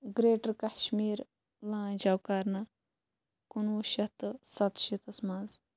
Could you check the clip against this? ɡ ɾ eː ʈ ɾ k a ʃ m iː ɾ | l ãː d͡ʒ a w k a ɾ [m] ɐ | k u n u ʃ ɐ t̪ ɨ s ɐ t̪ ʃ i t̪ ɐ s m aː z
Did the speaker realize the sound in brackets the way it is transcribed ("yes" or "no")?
no